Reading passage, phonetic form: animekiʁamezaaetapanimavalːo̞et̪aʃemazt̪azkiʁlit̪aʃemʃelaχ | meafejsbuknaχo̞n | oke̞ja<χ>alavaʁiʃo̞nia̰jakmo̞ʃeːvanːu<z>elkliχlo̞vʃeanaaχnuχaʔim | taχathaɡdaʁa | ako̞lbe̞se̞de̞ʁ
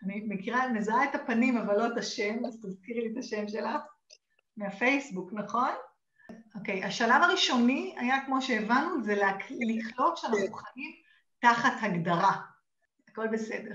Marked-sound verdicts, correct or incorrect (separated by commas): incorrect, correct